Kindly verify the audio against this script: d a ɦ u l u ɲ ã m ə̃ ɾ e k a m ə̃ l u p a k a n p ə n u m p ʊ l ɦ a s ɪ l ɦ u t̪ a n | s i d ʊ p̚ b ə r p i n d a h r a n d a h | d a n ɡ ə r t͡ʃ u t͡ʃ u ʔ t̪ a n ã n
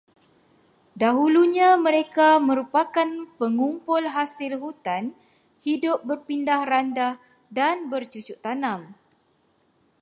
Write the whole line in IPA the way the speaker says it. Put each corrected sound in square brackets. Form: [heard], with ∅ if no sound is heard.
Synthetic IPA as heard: d a ɦ u l u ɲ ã m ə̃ ɾ e k a m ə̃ [ɾ] u p a k a n p ə [ŋ] u m p ʊ l ɦ a s ɪ l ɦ u t̪ a n | [h] i d ʊ p̚ b ə r p i n d a h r a n d a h | d a n [b] ə r t͡ʃ u t͡ʃ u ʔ t̪ a n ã [m]